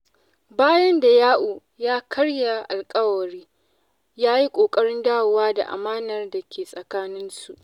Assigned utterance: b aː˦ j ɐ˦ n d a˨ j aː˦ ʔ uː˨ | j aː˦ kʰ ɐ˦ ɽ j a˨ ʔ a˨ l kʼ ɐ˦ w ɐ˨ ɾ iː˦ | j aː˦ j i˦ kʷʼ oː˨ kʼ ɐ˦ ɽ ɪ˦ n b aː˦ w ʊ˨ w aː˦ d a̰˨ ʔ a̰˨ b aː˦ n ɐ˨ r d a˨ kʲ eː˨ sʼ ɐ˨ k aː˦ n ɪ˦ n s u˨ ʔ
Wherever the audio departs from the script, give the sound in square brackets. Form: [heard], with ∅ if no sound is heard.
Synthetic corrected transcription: b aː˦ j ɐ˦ n d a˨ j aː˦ ʔ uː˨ | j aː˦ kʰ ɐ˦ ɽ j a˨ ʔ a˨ l kʼ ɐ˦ w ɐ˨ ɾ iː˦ | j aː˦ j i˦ kʷʼ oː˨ kʼ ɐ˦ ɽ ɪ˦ n [d] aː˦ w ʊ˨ w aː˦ d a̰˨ ʔ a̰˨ [m] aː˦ n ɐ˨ r d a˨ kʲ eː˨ sʼ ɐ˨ k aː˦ n ɪ˦ n s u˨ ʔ